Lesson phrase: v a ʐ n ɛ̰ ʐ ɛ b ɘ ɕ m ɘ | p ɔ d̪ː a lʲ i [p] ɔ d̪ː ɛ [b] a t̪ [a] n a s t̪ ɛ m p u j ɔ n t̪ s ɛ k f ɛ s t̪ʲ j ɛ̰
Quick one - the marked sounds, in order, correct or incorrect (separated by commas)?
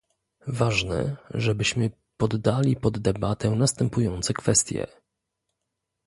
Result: correct, correct, incorrect